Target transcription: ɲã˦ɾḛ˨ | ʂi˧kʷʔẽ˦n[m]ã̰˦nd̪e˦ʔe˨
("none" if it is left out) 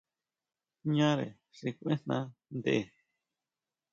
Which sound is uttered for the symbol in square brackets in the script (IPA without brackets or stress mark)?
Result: n